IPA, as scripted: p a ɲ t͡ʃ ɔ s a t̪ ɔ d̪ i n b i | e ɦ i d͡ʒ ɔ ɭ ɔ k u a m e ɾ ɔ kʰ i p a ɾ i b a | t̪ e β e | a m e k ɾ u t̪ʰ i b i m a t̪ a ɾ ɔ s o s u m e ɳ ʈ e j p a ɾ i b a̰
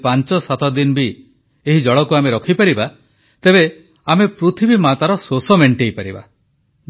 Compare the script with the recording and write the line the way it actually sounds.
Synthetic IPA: p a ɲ t͡ʃ ɔ s a t̪ ɔ d̪ i n b i | e ɦ i d͡ʒ ɔ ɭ ɔ k u a m e ɾ ɔ kʰ i p a ɾ i b a | t̪ e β e | a m e p ɾ u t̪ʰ i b i m a t̪ a ɾ ɔ s o s ɔ m e ɳ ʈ e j p a ɾ i b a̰